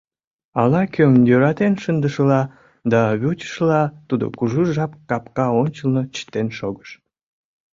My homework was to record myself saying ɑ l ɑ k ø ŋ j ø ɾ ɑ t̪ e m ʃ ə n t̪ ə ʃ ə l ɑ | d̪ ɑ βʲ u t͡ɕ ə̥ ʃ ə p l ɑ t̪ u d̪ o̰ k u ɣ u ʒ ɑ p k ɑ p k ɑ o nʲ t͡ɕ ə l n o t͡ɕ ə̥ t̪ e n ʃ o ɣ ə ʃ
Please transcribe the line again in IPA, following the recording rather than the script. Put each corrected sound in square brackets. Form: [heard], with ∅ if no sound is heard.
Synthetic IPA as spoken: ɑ l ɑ k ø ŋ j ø ɾ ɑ t̪ e [n] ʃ ə n [d̪] ə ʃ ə l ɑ | d̪ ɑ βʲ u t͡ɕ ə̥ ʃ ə [∅] l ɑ t̪ u d̪ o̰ k u [ʒ] u ʒ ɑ p k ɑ p k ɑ o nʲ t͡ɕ ə l n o t͡ɕ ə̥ t̪ e n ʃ o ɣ ə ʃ